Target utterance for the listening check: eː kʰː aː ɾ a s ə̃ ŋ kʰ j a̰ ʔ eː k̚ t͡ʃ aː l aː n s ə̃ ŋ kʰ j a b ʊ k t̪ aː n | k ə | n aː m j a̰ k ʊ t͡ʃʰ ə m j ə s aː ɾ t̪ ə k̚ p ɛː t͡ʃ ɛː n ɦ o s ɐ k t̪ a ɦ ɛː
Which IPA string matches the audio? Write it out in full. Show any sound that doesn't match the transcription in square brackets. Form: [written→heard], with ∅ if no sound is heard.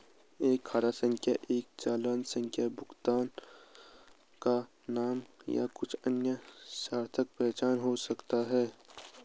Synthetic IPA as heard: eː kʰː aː ɾ a s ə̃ ŋ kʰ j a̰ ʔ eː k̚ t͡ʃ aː l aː n s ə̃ ŋ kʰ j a b ʊ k t̪ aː n | k [ə→a] | n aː m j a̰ k ʊ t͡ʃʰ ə [m→n] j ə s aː ɾ [t̪→t̪ʰ] ə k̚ p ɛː t͡ʃ [ɛː→aː] n ɦ o s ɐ k t̪ a ɦ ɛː